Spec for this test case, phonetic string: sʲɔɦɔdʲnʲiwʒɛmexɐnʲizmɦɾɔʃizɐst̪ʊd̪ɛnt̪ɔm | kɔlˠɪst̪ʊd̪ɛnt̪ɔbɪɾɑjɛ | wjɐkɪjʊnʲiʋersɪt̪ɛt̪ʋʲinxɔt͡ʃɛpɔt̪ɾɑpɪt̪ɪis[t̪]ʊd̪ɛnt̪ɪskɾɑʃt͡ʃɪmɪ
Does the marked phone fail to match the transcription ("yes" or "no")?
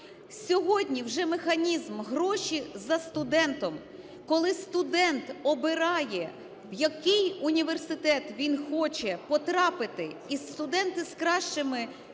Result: no